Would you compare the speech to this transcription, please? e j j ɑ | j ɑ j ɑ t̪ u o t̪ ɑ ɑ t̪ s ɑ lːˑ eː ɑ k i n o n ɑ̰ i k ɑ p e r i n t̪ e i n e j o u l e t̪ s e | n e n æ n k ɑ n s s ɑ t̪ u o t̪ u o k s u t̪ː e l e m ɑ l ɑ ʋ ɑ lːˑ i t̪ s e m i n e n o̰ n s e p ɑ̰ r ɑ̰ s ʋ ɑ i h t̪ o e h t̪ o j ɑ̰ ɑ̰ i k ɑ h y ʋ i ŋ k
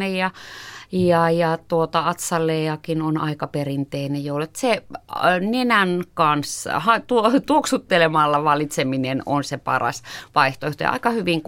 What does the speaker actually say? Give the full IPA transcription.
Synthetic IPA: e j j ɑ | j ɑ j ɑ t̪ u o t̪ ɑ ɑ t̪ s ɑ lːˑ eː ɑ k i n o n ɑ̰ i k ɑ p e r i n t̪ e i n e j o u l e t̪ s e | n e n æ n k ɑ n s h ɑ t̪ u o t̪ u o k s u t̪ː e l e m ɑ lː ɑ ʋ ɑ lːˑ i t̪ s e m i n e n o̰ n s e p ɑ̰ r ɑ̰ s ʋ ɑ i h t̪ o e h t̪ o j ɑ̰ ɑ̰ i k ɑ h y ʋ i ŋ k